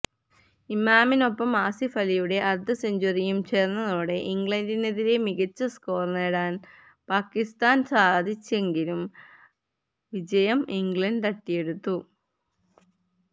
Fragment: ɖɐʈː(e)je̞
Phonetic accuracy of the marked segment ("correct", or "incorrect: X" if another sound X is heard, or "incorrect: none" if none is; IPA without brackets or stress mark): incorrect: i